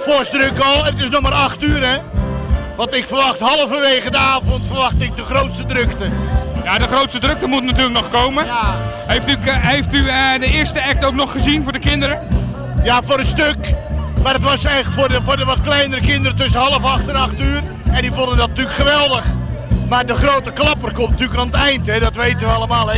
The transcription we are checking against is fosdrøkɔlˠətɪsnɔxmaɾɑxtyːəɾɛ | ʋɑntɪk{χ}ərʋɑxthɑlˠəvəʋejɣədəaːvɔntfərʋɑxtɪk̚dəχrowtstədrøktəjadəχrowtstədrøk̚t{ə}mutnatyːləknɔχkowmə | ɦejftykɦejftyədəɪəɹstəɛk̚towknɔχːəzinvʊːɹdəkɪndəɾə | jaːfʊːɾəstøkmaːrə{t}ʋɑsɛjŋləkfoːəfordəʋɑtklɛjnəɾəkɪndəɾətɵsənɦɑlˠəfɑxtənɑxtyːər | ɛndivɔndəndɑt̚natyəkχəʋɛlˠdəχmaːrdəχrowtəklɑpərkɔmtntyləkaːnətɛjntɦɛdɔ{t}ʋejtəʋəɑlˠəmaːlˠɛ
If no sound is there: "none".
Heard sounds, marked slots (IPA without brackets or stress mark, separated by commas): f, ə, t, t